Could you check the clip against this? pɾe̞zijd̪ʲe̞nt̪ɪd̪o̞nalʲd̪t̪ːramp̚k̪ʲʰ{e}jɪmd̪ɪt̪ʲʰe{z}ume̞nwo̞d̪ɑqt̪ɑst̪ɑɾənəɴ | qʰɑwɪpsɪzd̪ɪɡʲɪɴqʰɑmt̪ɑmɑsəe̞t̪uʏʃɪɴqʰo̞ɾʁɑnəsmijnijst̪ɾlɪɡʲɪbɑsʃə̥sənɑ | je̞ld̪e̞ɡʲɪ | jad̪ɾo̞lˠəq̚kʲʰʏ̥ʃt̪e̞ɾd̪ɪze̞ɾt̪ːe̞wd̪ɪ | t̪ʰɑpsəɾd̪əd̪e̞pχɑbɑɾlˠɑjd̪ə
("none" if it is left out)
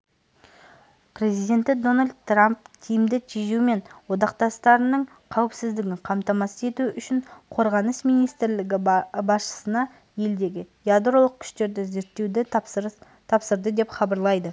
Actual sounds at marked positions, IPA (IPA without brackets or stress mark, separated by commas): i, ʒ